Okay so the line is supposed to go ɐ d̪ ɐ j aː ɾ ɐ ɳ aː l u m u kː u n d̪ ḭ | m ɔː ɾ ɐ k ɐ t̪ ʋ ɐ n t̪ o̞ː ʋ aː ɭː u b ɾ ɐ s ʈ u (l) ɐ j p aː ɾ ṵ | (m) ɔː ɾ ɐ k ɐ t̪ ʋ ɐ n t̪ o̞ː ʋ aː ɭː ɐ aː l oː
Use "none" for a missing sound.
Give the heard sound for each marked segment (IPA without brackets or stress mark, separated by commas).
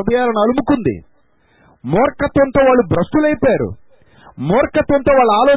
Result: l, m